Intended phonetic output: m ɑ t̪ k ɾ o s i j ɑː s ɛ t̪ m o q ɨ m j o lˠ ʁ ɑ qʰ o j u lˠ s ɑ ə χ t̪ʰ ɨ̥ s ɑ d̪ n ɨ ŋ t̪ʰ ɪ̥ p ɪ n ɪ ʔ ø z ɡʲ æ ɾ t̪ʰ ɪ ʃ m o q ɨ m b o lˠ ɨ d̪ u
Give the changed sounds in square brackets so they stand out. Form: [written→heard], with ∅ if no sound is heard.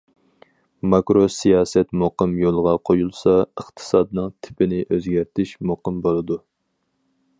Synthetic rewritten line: m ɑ [t̪→∅] k ɾ o s i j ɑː s ɛ t̪ m o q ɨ m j o lˠ ʁ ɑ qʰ o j u lˠ s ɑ ə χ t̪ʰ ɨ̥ s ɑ d̪ n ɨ ŋ t̪ʰ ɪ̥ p ɪ n ɪ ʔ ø z ɡʲ æ ɾ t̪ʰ ɪ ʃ m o q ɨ m b o lˠ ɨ d̪ u